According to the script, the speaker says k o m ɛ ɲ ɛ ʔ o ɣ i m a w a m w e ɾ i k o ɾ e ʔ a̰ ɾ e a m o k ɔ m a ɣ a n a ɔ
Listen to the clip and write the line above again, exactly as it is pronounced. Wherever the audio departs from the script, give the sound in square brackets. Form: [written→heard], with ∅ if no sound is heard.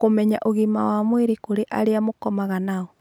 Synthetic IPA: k o m ɛ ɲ [ɛ→a] ʔ o ɣ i m a w a m w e ɾ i k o ɾ e ʔ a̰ ɾ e a m o k ɔ m a ɣ a n a ɔ